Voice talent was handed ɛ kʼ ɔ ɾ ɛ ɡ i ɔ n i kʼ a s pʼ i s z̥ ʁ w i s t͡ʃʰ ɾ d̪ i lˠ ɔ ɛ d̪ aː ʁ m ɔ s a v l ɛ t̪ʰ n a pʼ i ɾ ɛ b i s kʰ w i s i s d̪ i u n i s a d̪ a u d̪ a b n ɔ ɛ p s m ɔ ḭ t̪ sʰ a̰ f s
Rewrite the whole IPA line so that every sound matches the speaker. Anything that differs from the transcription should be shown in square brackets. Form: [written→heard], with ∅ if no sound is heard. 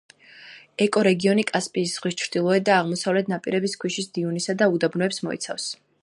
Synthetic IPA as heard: ɛ kʼ ɔ ɾ ɛ ɡ i ɔ n i kʼ a s pʼ [i→iː] s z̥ ʁ w i s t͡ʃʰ ɾ d̪ i lˠ ɔ ɛ d̪ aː ʁ m ɔ s a v l ɛ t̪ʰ n a pʼ i ɾ ɛ b i s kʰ w i [s→ʃ] i s d̪ i u n i s a d̪ a u d̪ a b n ɔ ɛ p s m ɔ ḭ t̪ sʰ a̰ f s